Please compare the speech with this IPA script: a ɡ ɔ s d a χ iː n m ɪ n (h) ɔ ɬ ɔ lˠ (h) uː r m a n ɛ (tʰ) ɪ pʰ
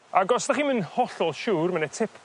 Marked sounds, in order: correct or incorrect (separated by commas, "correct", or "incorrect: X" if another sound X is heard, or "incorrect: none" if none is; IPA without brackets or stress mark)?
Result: correct, incorrect: ʃ, correct